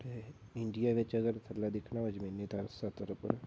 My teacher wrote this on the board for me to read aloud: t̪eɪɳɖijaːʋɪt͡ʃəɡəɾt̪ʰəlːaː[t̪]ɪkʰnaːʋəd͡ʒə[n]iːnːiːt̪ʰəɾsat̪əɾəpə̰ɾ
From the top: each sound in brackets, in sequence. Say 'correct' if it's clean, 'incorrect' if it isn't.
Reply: incorrect: d̪, incorrect: m

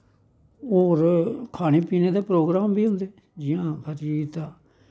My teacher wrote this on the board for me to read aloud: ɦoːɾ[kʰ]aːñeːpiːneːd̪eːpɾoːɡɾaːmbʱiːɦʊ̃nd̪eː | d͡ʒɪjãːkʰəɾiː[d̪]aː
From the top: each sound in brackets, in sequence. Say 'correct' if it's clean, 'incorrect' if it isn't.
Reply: correct, incorrect: t̪

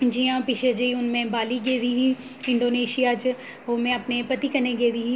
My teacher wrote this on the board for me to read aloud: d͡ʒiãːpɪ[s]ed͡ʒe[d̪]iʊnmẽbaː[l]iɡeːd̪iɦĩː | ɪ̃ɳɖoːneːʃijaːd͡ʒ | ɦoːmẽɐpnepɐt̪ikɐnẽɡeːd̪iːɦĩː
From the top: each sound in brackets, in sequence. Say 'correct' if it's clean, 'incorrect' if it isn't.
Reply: incorrect: ʃ, incorrect: none, correct

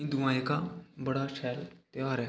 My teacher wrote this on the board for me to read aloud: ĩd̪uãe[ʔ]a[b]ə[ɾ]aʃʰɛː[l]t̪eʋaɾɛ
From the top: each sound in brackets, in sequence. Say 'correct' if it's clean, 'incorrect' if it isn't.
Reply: incorrect: k, correct, incorrect: ɽ, correct

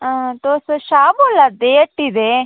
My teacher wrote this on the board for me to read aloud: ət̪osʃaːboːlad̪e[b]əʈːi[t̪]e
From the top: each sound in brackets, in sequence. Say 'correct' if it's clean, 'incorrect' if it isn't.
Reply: incorrect: none, incorrect: d̪

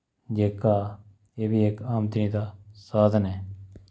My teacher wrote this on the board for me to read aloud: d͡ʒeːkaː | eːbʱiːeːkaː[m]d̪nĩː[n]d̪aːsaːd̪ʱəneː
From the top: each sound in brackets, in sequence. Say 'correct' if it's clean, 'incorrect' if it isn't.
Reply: correct, incorrect: none

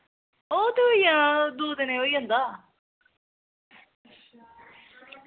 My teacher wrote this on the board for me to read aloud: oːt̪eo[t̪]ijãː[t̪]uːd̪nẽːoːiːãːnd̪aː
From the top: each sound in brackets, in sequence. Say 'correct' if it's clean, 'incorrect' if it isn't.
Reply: incorrect: none, incorrect: d̪

